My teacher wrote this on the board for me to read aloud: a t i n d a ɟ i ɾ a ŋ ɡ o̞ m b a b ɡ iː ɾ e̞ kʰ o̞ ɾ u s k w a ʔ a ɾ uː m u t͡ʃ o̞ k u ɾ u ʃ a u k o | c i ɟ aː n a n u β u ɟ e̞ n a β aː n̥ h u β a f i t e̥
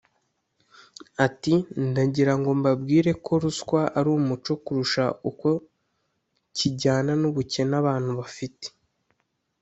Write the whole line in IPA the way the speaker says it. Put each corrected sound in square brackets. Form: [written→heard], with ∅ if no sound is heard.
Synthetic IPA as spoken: a t i n d a ɟ i ɾ a ŋ ɡ o̞ m b a b ɡ iː ɾ e̞ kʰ o̞ ɾ u s k w a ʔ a ɾ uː m u t͡ʃ o̞ k u ɾ u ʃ a u k o | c i ɟ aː n a n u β u [ɟ→c] e̞ n a β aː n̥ h u β a f i t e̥